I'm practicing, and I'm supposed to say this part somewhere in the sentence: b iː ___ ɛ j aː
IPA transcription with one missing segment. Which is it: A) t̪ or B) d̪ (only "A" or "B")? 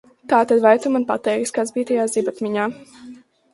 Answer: A